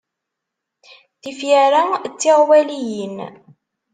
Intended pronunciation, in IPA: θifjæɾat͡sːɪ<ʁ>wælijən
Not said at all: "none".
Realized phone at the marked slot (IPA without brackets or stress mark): ʁ